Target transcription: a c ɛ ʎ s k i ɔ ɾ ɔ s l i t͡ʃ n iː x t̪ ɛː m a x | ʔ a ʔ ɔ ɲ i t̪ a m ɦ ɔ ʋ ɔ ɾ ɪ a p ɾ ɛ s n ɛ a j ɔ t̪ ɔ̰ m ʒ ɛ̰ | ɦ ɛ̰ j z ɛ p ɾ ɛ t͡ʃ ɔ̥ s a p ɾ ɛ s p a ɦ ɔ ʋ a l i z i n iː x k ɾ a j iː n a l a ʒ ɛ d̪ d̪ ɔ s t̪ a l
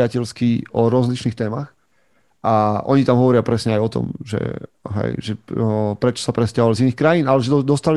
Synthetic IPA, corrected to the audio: a c ɛ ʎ s k i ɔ ɾ ɔ z l i t͡ʃ n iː x t̪ ɛː m a x | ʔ a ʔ ɔ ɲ i t̪ a m ɦ ɔ ʋ ɔ ɾ ɪ a p ɾ ɛ s ɲ ɛ a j ɔ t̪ ɔ̰ m ʒ ɛ̰ | ɦ ɛ̰ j ʒ ɛ p ɾ ɛ t͡ʃ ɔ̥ s a p ɾ ɛ s c a ɦ ɔ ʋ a l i z i n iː x k ɾ a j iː n a l ɛ ʒ ɛ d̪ d̪ ɔ s t̪ a l